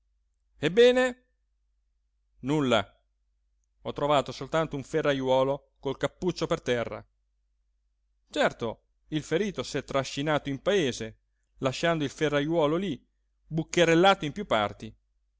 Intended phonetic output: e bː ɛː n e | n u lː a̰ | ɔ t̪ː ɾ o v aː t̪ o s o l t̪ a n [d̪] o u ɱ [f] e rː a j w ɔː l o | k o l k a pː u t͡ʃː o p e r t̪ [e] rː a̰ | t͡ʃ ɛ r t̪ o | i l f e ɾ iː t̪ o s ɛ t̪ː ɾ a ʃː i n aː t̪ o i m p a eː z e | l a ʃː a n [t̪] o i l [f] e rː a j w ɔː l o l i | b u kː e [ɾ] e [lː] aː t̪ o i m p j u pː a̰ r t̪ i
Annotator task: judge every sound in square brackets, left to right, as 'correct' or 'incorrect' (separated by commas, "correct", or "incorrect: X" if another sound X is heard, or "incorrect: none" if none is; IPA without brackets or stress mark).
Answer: incorrect: t̪, correct, incorrect: ɛ, incorrect: d̪, correct, correct, correct